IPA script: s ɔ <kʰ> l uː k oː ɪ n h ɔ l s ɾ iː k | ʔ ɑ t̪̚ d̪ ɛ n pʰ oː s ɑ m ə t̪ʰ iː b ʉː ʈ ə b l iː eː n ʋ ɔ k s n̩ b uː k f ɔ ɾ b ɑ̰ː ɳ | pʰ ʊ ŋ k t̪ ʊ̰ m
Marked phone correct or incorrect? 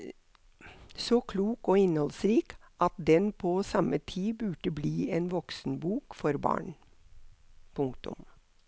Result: correct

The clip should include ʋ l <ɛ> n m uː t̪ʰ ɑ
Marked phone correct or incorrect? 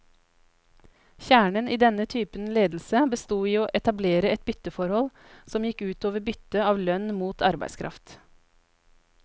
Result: incorrect: œ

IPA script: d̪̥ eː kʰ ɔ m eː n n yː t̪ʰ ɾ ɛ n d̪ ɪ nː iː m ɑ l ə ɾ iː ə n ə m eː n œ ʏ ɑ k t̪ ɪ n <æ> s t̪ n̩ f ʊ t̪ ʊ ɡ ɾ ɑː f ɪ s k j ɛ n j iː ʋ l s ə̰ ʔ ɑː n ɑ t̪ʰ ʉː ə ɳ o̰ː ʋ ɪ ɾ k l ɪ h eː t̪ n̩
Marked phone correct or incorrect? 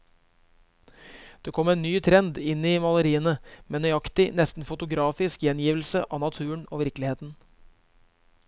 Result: incorrect: ɛ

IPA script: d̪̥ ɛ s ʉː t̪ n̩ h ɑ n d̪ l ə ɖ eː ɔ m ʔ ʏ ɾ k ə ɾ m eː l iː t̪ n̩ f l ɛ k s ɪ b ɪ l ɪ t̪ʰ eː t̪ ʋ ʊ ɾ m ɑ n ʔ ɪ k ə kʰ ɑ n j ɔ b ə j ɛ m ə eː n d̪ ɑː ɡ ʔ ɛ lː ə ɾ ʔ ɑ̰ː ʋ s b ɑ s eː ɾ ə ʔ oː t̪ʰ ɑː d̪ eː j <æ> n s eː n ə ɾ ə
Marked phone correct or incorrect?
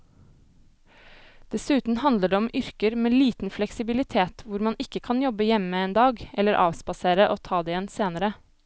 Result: incorrect: ɛ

